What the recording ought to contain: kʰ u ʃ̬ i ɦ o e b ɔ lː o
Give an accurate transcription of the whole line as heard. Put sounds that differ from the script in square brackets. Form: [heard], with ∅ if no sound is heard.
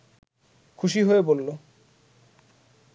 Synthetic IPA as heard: kʰ u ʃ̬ i ɦ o e b [o] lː o